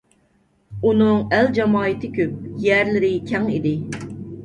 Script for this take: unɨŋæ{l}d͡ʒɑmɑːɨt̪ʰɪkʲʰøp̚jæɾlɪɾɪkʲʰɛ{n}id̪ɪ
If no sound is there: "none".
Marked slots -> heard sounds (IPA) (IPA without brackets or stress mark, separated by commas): l, ŋ